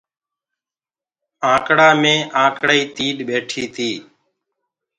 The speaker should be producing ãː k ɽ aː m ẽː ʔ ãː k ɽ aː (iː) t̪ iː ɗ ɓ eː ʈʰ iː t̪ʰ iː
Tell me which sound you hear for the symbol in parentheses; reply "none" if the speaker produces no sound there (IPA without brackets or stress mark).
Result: iː